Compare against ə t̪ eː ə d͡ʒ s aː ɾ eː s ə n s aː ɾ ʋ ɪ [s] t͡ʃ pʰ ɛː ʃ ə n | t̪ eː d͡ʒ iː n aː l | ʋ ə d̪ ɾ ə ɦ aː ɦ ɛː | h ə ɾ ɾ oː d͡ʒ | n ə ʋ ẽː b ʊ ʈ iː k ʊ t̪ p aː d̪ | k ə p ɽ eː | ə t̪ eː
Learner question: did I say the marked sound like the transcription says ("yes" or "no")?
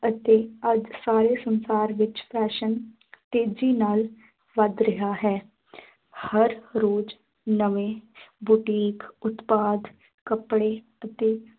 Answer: no